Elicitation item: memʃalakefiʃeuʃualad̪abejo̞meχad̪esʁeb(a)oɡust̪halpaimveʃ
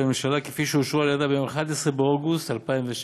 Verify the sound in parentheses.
incorrect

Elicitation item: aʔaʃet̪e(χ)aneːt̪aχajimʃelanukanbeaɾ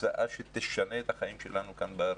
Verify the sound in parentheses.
incorrect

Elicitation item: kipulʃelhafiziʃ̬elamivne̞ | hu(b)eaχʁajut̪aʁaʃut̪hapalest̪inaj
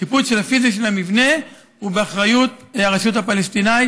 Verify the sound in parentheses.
correct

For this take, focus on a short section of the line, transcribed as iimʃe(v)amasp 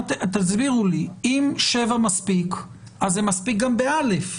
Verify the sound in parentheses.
correct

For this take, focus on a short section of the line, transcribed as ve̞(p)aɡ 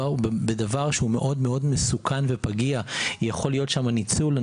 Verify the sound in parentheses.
correct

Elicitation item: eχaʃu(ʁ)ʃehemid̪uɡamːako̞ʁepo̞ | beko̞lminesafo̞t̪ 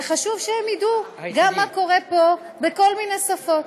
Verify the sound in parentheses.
incorrect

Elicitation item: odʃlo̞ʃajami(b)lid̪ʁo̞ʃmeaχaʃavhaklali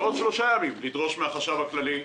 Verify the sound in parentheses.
incorrect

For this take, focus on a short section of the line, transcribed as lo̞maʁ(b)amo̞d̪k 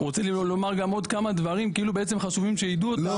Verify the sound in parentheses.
incorrect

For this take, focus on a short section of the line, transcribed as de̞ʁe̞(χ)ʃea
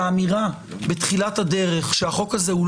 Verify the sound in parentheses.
correct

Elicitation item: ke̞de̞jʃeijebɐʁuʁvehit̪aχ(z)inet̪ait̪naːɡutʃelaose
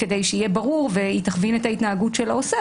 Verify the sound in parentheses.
incorrect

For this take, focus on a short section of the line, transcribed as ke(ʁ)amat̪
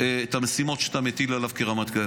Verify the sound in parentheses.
correct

